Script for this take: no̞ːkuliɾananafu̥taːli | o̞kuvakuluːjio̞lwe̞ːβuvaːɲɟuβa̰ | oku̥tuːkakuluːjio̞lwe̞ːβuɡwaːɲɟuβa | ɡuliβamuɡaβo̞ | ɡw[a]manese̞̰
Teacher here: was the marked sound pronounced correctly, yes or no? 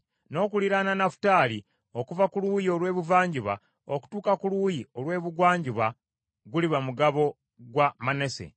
yes